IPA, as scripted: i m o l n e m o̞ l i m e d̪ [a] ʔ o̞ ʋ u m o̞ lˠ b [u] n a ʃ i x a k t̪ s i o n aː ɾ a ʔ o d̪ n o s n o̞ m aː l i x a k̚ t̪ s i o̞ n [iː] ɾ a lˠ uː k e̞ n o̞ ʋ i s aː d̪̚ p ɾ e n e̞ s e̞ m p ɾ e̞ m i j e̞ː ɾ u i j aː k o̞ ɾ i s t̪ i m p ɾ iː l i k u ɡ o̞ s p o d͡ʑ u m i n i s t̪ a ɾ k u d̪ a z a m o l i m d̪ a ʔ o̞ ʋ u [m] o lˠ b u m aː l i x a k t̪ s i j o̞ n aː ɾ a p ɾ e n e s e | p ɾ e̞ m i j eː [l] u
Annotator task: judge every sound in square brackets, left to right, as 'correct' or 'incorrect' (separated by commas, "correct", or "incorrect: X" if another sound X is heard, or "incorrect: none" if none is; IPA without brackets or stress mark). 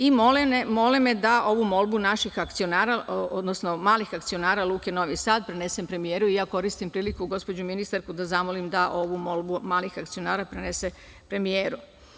correct, correct, incorrect: aː, correct, incorrect: ɾ